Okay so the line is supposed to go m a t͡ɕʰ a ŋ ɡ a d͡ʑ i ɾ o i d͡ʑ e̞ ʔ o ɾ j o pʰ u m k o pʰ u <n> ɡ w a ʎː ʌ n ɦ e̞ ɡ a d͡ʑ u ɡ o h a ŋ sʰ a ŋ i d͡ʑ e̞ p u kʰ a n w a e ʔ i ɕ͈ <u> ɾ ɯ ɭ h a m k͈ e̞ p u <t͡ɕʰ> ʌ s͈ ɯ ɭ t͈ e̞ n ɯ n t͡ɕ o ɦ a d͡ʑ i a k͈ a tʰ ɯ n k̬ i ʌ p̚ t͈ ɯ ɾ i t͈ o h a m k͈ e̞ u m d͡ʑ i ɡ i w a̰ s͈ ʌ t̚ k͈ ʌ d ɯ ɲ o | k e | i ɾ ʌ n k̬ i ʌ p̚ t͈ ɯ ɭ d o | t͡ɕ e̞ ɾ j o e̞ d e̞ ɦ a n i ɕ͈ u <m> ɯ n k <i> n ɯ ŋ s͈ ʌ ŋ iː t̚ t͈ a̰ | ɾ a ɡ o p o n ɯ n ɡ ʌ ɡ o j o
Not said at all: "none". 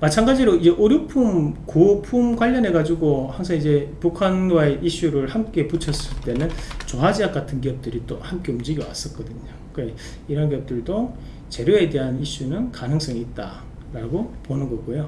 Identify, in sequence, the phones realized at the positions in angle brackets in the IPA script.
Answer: m, u, t͡ɕʰ, n, a

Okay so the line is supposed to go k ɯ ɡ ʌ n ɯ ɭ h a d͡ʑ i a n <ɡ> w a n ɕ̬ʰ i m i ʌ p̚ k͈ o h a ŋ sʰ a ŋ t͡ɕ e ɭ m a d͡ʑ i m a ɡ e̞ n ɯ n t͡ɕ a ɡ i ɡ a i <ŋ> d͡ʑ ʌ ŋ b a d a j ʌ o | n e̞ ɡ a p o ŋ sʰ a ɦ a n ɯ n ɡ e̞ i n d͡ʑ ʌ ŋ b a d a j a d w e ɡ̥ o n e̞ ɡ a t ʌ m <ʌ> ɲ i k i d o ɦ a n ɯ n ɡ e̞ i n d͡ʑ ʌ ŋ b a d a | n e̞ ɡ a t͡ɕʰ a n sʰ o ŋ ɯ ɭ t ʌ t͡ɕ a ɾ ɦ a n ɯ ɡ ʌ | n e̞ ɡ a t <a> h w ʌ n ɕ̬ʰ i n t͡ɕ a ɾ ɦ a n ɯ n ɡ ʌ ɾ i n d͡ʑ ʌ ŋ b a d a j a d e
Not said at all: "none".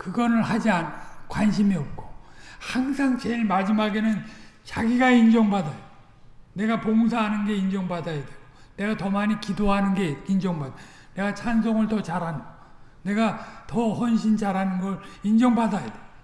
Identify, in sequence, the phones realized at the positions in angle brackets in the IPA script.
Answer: k, n, a, ʌ

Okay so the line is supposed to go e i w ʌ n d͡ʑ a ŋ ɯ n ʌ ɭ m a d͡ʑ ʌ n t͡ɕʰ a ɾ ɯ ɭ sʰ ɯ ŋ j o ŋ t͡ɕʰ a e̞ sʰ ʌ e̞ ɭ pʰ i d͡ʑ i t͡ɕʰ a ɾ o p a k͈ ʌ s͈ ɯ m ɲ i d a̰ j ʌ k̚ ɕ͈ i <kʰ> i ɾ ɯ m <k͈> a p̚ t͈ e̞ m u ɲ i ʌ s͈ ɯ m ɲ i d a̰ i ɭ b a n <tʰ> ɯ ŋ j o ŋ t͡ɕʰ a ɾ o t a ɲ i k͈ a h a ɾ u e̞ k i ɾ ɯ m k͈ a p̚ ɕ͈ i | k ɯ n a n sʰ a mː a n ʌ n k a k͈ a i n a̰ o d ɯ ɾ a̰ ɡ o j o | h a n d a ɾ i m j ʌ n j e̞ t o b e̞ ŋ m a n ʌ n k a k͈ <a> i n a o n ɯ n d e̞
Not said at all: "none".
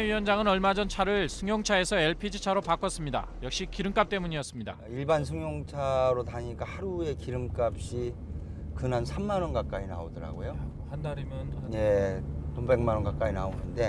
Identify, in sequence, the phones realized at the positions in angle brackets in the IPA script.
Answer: k, k͈, sʰ, a

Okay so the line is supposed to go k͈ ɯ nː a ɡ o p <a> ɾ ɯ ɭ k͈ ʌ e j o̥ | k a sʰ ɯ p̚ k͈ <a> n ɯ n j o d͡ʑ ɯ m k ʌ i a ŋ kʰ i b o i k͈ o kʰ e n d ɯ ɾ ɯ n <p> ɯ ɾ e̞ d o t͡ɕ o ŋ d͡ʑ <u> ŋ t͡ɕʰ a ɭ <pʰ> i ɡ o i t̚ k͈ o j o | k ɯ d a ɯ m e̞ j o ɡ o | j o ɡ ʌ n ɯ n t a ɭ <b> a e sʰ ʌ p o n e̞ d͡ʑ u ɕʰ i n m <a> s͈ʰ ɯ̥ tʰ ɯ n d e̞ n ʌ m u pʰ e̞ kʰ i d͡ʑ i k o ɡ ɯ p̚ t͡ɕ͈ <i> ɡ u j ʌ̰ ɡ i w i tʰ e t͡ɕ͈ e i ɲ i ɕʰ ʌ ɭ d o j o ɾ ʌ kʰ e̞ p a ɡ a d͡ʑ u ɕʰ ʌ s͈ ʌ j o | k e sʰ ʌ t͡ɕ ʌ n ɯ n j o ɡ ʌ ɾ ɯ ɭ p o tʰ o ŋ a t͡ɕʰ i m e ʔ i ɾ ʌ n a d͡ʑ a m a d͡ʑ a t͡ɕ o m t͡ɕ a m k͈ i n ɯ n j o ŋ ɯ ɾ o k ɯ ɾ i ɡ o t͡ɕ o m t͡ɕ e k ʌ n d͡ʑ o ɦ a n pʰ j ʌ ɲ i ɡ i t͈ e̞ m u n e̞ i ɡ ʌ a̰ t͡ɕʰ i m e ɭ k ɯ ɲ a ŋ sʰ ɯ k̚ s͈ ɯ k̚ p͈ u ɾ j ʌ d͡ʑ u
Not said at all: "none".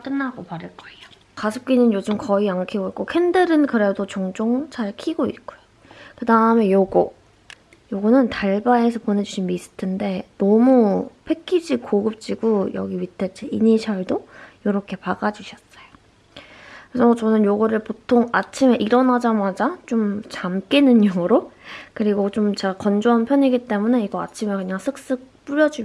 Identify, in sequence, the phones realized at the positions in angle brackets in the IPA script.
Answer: a, i, k, o, kʰ, b, i, i

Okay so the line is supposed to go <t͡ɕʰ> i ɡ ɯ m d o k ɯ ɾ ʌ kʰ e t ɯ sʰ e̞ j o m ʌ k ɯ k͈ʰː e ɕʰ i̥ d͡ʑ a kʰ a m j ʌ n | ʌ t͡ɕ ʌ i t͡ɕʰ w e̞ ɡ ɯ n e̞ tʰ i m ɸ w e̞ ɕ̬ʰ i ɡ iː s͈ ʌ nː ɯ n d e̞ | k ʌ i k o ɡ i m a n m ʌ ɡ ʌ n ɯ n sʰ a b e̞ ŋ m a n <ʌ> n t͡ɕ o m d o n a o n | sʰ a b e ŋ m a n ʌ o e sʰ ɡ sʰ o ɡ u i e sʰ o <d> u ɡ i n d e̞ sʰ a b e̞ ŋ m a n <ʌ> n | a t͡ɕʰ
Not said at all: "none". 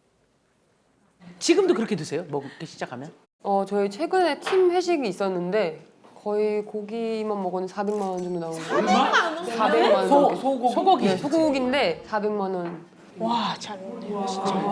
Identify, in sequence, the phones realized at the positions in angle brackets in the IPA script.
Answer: t͡ɕ, ʌ, ɡ, ʌ

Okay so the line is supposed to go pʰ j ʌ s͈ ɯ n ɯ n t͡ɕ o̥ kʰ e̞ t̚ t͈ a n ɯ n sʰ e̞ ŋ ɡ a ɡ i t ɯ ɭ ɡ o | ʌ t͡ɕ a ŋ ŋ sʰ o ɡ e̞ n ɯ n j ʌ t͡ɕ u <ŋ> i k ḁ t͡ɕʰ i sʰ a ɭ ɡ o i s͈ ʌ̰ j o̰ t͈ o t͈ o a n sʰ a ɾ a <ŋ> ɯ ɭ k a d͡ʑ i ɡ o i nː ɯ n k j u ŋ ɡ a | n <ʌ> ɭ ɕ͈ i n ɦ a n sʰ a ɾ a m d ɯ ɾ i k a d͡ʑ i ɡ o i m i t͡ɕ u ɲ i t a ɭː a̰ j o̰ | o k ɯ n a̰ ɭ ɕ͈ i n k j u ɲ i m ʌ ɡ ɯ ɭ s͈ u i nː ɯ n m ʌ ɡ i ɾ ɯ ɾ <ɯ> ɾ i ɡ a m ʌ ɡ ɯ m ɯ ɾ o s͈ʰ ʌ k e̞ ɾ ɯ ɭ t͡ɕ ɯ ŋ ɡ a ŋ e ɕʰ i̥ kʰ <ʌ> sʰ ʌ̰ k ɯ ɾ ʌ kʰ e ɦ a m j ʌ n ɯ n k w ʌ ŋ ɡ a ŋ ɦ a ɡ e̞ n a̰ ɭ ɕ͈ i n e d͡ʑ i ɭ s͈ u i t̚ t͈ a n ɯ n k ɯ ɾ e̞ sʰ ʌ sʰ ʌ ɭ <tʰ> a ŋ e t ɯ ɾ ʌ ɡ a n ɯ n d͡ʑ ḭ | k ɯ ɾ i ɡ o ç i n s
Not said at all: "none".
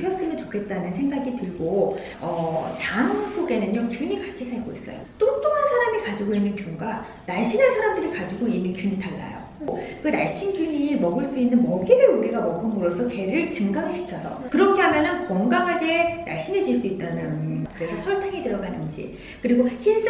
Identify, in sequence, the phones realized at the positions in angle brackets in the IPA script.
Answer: ɲ, m, a, u, ʌ, tʰ

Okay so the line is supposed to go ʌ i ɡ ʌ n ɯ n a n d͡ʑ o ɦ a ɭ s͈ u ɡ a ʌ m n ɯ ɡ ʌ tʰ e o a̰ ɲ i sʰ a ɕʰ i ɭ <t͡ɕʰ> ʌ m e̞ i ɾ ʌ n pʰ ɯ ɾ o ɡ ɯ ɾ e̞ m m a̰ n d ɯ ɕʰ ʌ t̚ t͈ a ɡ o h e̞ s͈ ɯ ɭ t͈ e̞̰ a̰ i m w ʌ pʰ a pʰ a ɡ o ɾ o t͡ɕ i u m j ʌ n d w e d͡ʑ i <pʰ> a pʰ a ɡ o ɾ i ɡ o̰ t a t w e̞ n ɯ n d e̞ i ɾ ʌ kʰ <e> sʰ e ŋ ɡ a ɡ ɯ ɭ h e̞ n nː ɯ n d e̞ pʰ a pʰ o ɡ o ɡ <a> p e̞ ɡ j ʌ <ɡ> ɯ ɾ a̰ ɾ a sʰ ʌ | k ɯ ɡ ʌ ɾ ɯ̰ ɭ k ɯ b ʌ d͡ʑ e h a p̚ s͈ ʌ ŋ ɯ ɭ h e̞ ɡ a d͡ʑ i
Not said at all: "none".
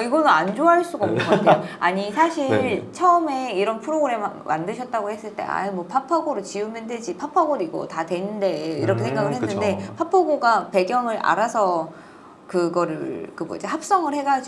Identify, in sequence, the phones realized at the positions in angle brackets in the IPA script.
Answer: t͡ɕʰ, pʰ, e, a, ŋ

